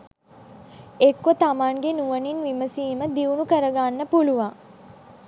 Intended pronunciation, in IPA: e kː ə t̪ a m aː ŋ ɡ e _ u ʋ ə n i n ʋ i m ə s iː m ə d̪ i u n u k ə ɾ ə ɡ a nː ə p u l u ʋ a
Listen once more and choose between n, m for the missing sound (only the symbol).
n